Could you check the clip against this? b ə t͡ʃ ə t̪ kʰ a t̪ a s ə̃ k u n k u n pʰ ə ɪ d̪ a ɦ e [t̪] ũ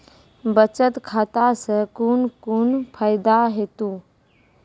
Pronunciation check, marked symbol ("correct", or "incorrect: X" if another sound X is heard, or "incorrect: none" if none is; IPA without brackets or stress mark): correct